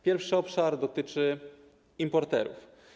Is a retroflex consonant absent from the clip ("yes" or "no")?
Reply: no